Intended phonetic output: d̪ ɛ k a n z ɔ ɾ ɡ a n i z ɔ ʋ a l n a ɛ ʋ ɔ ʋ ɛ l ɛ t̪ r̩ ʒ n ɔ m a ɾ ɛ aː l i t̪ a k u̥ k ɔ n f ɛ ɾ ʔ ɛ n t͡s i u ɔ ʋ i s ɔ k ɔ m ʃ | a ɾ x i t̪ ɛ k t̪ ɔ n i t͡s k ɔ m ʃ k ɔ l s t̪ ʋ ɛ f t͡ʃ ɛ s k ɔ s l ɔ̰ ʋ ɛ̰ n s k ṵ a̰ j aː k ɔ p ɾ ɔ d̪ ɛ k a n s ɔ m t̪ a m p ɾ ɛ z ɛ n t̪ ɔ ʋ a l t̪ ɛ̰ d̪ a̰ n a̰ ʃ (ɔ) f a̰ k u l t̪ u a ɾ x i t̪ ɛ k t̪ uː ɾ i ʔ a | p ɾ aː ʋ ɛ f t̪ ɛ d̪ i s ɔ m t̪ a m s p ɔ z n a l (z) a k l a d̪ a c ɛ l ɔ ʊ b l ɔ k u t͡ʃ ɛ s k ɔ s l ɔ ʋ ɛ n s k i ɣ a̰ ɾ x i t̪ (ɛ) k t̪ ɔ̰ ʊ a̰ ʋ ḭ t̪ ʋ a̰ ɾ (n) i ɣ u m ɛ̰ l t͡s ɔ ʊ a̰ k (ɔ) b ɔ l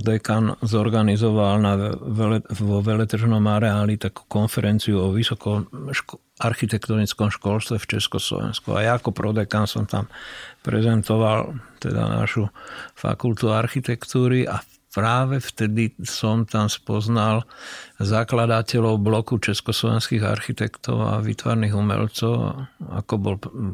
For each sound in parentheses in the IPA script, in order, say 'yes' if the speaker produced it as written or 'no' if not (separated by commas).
no, yes, yes, yes, yes